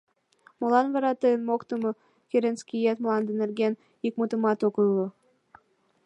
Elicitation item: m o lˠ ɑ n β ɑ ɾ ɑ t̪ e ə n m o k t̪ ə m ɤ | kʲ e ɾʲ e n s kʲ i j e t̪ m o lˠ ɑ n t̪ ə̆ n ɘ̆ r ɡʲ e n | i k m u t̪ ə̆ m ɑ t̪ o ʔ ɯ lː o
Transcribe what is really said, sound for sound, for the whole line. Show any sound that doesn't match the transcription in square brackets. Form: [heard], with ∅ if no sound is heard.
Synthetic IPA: m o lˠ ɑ n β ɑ ɾ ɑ t̪ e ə n m o k t̪ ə m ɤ | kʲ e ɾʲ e n s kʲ i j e t̪ m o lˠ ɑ n [d̪] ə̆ n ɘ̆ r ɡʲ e n | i k m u t̪ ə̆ m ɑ t̪ o [k] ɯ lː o